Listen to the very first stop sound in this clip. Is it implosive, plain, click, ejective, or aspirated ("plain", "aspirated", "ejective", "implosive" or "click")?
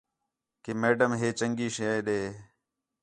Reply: plain